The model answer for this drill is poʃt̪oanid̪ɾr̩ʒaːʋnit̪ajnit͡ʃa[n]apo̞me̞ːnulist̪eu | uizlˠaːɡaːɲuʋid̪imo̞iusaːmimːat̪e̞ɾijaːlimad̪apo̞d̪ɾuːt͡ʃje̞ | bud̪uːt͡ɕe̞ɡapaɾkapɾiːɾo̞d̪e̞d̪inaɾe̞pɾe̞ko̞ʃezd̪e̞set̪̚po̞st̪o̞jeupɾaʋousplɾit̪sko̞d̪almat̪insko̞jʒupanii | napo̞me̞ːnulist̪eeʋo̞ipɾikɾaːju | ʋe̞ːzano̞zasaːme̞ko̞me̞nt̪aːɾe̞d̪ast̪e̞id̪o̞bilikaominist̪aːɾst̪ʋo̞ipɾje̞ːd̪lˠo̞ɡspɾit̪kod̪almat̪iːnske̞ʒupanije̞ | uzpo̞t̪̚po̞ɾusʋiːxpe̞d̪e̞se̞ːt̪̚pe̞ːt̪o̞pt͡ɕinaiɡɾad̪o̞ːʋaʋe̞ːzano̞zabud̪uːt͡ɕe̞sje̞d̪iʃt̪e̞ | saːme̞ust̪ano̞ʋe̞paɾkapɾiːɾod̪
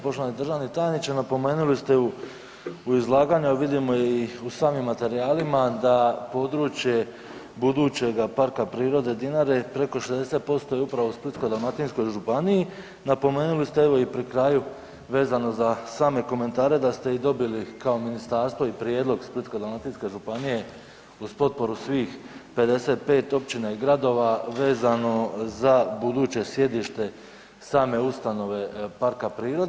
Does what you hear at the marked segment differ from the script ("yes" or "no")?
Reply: no